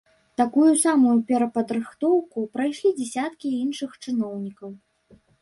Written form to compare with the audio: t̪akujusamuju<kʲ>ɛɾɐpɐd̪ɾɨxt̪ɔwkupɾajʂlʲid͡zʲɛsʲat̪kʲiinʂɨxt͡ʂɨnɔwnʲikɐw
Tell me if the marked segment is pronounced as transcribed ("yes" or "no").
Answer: no